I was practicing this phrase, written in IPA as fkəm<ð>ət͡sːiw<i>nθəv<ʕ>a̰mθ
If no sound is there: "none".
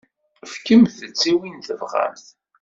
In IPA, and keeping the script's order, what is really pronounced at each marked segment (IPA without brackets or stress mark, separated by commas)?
θ, i, ʁ